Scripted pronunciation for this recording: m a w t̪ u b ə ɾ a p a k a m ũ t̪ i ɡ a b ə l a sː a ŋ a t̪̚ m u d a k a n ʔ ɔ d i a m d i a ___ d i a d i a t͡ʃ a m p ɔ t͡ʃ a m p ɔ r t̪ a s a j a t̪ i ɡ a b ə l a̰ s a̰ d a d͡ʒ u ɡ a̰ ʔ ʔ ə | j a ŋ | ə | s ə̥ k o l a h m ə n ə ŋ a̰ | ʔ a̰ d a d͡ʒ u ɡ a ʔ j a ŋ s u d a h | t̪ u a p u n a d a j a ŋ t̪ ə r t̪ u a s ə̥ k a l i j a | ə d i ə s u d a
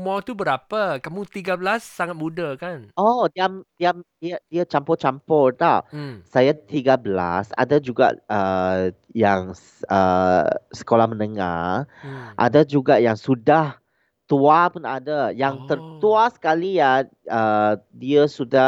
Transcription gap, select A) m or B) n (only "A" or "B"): A